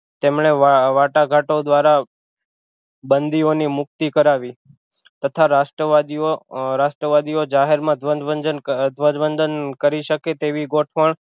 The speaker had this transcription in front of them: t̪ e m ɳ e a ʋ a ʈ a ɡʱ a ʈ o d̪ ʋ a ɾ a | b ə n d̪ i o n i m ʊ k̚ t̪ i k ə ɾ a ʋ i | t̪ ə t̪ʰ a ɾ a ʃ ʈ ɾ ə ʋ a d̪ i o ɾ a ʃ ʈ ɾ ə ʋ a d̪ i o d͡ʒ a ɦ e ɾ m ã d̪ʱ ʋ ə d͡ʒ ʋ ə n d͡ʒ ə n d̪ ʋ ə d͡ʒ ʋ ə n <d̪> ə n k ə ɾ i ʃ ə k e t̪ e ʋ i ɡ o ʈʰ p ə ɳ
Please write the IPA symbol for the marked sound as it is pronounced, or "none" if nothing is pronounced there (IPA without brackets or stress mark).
d̪